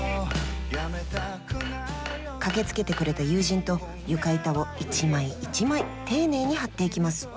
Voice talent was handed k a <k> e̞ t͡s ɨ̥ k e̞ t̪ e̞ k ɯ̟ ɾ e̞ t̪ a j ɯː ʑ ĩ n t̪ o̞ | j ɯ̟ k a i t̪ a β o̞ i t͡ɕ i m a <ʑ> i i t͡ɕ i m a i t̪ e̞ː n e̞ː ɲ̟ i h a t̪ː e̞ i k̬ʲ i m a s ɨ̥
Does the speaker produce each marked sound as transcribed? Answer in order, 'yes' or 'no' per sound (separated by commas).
yes, no